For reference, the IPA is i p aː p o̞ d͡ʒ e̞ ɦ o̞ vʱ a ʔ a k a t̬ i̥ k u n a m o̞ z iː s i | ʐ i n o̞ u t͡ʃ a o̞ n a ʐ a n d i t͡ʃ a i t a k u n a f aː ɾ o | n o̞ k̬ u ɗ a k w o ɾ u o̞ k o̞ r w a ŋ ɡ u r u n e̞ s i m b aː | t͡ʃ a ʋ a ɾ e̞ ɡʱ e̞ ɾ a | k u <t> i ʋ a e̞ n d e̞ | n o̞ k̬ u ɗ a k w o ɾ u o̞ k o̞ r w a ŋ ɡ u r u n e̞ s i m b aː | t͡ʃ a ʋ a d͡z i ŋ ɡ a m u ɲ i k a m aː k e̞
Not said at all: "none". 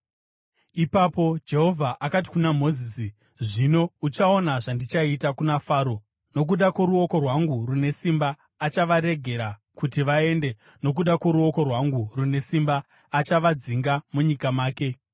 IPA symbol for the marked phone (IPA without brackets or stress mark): t